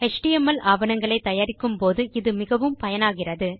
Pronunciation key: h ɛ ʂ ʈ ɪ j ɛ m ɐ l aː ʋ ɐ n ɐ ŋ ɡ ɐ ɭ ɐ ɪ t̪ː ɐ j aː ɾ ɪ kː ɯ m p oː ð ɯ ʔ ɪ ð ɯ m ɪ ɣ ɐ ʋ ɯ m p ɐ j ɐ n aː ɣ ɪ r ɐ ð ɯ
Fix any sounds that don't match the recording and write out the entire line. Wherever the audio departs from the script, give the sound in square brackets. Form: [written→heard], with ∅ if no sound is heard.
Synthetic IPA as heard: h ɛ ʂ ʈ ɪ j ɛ m ɐ l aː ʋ ɐ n ɐ ŋ ɡ ɐ ɭ ɐ ɪ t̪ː ɐ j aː ɾ ɪ kː ɯ m p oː ð ɯ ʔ ɪ ð ɯ m ɪ ɣ ɐ ʋ ɯ m p ɐ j ɐ n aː ɣ ɪ r ɐ ð ɯ